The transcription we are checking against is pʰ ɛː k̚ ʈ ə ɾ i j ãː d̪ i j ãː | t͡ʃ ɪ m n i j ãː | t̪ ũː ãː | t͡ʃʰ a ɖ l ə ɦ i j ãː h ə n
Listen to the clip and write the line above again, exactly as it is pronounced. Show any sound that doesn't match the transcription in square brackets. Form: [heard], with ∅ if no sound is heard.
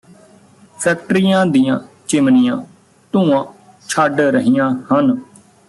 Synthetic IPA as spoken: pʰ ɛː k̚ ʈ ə ɾ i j ãː d̪ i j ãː | t͡ʃ ɪ m n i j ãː | t̪ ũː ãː | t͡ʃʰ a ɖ [ɾ] ə ɦ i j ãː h ə n